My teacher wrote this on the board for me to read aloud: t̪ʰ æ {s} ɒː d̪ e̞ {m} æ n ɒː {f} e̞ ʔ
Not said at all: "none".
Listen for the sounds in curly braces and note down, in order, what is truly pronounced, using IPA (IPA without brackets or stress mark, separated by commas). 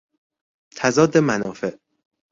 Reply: z, m, f